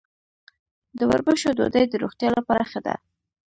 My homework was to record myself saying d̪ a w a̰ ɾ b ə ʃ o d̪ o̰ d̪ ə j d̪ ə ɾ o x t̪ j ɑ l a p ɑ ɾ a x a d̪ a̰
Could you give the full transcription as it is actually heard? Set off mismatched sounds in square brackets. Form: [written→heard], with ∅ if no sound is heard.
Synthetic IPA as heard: d̪ [a→ə] w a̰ ɾ b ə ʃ o d̪ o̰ d̪ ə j d̪ ə ɾ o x t̪ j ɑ l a p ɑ ɾ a x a d̪ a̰